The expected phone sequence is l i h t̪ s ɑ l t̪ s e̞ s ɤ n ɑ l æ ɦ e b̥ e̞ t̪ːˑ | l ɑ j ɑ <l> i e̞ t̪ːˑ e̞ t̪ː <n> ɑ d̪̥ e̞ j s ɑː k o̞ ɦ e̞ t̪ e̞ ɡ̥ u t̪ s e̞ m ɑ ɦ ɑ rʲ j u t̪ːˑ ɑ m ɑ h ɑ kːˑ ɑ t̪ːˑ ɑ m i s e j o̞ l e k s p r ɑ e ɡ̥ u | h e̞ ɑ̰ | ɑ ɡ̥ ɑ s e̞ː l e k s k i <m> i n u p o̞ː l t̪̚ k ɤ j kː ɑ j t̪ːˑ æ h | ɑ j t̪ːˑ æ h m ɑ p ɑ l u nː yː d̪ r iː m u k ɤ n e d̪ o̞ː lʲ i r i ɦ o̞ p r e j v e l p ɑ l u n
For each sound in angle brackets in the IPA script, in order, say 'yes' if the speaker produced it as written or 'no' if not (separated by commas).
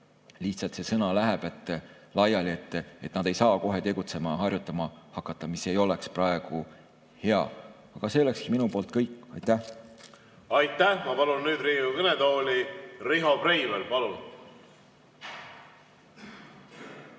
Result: yes, yes, yes